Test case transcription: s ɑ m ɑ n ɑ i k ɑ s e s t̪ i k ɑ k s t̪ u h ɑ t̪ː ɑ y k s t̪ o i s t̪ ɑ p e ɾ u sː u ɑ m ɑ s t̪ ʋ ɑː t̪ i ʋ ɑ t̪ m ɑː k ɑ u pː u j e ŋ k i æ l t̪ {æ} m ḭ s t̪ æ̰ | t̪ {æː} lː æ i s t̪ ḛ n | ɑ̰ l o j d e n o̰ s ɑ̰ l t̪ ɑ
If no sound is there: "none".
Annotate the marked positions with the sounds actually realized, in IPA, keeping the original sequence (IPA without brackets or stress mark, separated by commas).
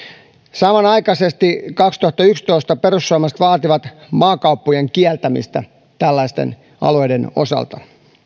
æ, æ